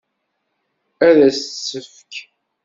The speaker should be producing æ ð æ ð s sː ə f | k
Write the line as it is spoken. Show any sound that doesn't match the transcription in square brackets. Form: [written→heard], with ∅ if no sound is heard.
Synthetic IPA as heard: æ ð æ [ð→∅] s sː ə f | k